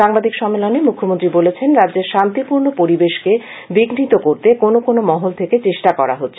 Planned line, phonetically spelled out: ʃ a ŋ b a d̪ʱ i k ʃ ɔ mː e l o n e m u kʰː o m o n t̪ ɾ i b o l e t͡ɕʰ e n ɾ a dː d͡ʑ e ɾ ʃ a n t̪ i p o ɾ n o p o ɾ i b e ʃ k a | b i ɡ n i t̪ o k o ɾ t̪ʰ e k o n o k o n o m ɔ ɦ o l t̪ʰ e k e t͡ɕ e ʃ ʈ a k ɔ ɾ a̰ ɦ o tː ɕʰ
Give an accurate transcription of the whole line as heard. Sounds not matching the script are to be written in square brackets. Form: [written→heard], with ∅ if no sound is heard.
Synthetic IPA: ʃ a ŋ b a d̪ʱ i k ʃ ɔ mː e l o n e m u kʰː o m o n t̪ ɾ i b o l e t͡ɕʰ e n ɾ a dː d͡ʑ e ɾ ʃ a n t̪ i p [o→u] ɾ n o p o ɾ i b e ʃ k [a→e] | b i ɡ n i t̪ o k o ɾ [t̪ʰ→t̪] e k o n o k o n o m ɔ ɦ o l t̪ʰ e k e t͡ɕ e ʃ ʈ a k ɔ ɾ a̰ ɦ o tː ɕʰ